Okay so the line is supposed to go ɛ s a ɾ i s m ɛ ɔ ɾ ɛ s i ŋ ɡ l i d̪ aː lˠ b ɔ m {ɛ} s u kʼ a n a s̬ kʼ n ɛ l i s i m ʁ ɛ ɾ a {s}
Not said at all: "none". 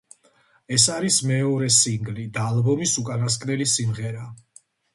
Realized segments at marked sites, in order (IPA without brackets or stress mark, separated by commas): i, none